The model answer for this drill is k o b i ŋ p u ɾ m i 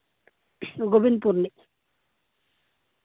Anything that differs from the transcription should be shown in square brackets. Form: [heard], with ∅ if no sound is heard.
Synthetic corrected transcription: [ɡ] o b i [n] p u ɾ [n] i

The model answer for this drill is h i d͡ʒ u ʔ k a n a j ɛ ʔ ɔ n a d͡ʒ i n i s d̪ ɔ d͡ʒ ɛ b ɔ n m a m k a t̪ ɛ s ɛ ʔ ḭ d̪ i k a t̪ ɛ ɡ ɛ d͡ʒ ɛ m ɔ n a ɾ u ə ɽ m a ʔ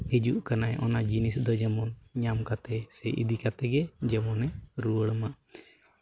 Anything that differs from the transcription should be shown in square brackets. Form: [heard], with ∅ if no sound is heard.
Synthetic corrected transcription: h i d͡ʒ u ʔ k a n a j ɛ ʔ ɔ n a d͡ʒ i n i s d̪ ɔ d͡ʒ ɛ [m] ɔ n [ɲ] a m k a t̪ ɛ s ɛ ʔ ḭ d̪ i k a t̪ ɛ ɡ ɛ d͡ʒ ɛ m ɔ n [ɛ] ɾ u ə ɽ m a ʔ

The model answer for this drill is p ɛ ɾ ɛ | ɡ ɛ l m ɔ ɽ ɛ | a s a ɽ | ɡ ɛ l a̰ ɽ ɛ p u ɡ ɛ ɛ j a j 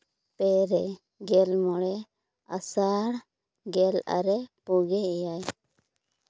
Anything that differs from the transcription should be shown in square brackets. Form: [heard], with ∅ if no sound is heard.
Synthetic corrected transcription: p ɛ ɾ ɛ | ɡ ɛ l m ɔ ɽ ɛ | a s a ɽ | ɡ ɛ l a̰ [ɾ] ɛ p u ɡ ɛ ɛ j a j

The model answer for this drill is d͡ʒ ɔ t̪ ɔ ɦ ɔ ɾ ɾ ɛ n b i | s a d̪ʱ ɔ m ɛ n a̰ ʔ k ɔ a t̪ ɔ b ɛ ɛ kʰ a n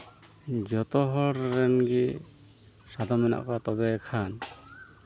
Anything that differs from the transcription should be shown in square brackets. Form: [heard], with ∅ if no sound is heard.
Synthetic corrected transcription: d͡ʒ ɔ t̪ ɔ ɦ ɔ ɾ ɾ ɛ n [ɡ] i | s a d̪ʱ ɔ m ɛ n a̰ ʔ k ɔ a t̪ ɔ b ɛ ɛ kʰ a n

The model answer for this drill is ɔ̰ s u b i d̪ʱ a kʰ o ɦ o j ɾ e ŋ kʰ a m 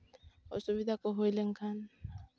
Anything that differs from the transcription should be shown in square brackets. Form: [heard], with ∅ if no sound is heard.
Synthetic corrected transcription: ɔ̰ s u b i d̪ʱ a [k] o ɦ o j [l] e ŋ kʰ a [n]

